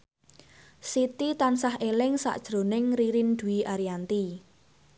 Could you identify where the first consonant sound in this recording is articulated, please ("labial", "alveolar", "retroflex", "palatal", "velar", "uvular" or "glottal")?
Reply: alveolar